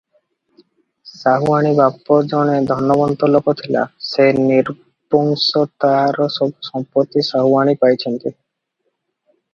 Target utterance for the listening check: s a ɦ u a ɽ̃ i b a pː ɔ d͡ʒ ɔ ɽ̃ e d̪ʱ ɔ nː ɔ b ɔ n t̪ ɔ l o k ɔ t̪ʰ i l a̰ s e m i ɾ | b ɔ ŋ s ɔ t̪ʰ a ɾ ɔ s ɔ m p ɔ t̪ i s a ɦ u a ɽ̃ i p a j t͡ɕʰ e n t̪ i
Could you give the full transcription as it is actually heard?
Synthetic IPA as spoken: s a ɦ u a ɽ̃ i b a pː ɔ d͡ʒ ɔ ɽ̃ e d̪ʱ ɔ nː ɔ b ɔ n t̪ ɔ l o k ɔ t̪ʰ i l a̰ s e n i ɾ | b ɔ ŋ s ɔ t̪ a ɾ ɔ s ɔ m p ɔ t̪ i s a ɦ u a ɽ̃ i p a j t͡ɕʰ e n t̪ i

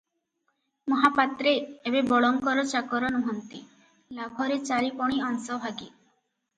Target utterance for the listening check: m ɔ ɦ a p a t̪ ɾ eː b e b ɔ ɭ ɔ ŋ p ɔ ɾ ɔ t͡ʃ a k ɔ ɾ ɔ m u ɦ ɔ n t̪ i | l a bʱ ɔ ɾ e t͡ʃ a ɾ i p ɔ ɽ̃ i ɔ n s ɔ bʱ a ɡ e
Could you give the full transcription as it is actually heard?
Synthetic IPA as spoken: m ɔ ɦ a p a t̪ ɾ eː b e b ɔ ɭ ɔ ŋ k ɔ ɾ ɔ t͡ʃ a k ɔ ɾ ɔ n u ɦ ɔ n t̪ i | l a bʱ ɔ ɾ e t͡ʃ a ɾ i p ɔ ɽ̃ i ɔ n s ɔ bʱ a ɡ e

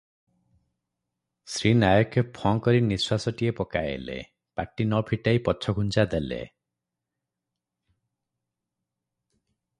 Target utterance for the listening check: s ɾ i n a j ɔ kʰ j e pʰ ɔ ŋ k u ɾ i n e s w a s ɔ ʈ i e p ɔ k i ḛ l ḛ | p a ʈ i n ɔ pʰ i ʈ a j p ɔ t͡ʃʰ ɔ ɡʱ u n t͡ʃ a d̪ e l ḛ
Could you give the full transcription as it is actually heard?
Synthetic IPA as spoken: s ɾ i n a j ɔ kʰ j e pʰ ɔ ŋ k ɔ ɾ i n i s w a s ɔ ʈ i e p ɔ k a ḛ l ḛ | p a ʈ i n ɔ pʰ i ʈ a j p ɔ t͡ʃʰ ɔ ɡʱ u n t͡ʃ a d̪ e l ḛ

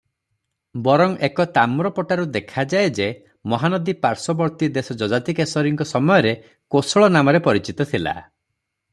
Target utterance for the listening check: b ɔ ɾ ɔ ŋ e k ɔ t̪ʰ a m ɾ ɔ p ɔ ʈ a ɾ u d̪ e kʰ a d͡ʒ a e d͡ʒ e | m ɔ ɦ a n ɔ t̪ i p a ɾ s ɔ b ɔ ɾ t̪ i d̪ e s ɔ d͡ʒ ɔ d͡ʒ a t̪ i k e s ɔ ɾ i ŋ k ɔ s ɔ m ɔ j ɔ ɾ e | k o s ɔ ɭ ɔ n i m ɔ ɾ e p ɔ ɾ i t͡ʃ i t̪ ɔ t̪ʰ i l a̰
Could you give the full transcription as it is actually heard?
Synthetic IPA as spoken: b ɔ ɾ ɔ ŋ e k ɔ t̪ a m ɾ ɔ p ɔ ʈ a ɾ u d̪ e kʰ a d͡ʒ a e d͡ʒ e | m ɔ ɦ a n ɔ d̪ i p a ɾ s ɔ b ɔ ɾ t̪ i d̪ e s ɔ d͡ʒ ɔ d͡ʒ a t̪ i k e s ɔ ɾ i ŋ k ɔ s ɔ m ɔ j ɔ ɾ e | k o s ɔ ɭ ɔ n a m ɔ ɾ e p ɔ ɾ i t͡ʃ i t̪ ɔ t̪ʰ i l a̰

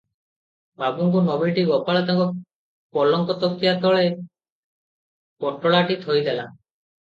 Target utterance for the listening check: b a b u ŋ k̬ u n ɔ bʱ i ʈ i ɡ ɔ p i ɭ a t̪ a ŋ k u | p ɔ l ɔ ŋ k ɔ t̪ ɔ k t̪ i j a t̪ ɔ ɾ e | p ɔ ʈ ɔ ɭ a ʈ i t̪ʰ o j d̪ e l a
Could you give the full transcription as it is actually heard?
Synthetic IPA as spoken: b a b u ŋ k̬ u n ɔ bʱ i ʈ i ɡ ɔ p a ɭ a t̪ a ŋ k ɔ | p ɔ l ɔ ŋ k ɔ t̪ ɔ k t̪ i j a t̪ ɔ ɭ e | p ɔ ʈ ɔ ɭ a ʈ i t̪ʰ o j d̪ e l a

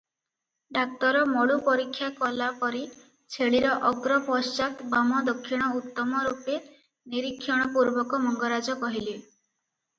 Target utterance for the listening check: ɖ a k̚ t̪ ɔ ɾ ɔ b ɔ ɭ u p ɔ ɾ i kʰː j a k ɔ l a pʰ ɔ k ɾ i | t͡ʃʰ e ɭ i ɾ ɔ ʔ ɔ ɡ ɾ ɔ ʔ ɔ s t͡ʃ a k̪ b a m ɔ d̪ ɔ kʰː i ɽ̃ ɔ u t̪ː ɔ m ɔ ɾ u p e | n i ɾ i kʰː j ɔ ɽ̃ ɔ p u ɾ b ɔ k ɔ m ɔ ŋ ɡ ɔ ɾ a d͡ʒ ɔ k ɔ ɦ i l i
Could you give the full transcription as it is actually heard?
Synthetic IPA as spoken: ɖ a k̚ t̪ ɔ ɾ ɔ m ɔ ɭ u p ɔ ɾ i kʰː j a k ɔ l a p ɔ ɾ i | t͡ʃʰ e ɭ i ɾ ɔ ʔ ɔ ɡ ɾ ɔ p ɔ s t͡ʃ a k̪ b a m ɔ d̪ ɔ kʰː i ɽ̃ ɔ u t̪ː ɔ m ɔ ɾ u p e | n i ɾ i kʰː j ɔ ɽ̃ ɔ p u ɾ b ɔ k ɔ m ɔ ŋ ɡ ɔ ɾ a d͡ʒ ɔ k ɔ ɦ i l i

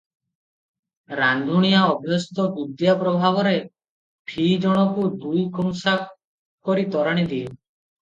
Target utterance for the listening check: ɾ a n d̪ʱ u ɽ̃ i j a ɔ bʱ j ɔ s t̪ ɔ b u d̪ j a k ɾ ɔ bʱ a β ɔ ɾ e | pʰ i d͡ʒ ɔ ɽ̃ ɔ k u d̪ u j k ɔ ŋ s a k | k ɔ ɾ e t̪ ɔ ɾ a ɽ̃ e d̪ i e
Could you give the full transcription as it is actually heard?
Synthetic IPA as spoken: ɾ a n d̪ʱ u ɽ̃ i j a ɔ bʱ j ɔ s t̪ ɔ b u d̪ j a p ɾ ɔ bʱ a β ɔ ɾ e | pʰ i d͡ʒ ɔ ɽ̃ ɔ k u d̪ u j k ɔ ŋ s a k | k ɔ ɾ i t̪ ɔ ɾ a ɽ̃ i d̪ i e

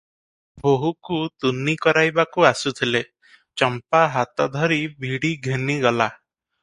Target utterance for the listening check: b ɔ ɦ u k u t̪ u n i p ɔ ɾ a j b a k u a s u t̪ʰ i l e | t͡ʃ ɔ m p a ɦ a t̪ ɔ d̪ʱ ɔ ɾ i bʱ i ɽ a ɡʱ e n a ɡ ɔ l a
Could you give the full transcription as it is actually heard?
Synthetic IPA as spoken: b o ɦ u k u t̪ u n i k ɔ ɾ a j b a k u a s u t̪ʰ i l e | t͡ʃ ɔ m p a ɦ a t̪ ɔ d̪ʱ ɔ ɾ i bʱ i ɽ i ɡʱ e n i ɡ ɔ l a

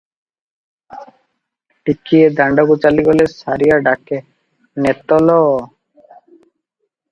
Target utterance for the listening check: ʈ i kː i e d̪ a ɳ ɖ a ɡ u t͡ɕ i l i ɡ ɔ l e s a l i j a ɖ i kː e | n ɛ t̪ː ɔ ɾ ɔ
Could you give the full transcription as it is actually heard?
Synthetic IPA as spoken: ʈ i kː i e d̪ a ɳ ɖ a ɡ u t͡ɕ a l i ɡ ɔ l e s a ɾ i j a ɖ a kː e | n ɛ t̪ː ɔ l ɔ

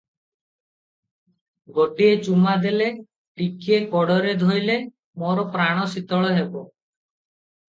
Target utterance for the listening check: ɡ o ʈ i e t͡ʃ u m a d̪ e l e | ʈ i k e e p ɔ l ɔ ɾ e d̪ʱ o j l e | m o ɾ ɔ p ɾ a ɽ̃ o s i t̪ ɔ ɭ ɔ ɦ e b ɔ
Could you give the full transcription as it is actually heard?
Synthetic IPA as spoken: ɡ o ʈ i e t͡ʃ u m a d̪ e l e | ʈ i k i e k ɔ ɽ ɔ ɾ e d̪ʱ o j l e | m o ɾ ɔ p ɾ a ɽ̃ ɔ s i t̪ ɔ ɭ ɔ ɦ e b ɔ

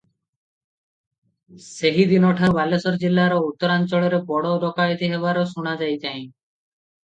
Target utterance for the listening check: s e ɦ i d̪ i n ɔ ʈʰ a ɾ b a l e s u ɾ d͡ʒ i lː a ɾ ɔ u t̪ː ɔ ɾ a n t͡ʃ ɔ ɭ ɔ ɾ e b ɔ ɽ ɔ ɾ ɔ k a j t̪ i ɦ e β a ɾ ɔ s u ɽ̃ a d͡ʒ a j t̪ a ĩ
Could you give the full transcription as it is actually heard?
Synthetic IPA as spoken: s e ɦ i d̪ i n ɔ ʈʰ a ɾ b a l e s ɔ ɾ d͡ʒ i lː a ɾ ɔ u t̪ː ɔ ɾ a n t͡ʃ ɔ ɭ ɔ ɾ e b ɔ ɽ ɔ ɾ ɔ k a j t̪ i ɦ e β a ɾ ɔ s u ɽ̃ a d͡ʒ a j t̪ a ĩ

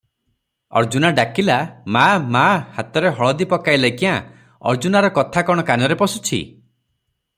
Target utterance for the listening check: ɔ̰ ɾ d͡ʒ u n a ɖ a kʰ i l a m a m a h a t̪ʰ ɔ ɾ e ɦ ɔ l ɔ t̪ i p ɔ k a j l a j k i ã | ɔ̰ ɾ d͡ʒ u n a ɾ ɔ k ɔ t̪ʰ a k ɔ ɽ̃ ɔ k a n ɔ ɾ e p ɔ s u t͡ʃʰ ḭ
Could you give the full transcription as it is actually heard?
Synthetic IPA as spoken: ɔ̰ ɾ d͡ʒ u n a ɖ a k i l a m a m a h a t̪ ɔ ɾ e ɦ ɔ ɭ ɔ d̪ i p ɔ k a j l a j k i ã | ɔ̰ ɾ d͡ʒ u n a ɾ ɔ k ɔ t̪ʰ a k ɔ ɽ̃ ɔ k a n ɔ ɾ e p ɔ s u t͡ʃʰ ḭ

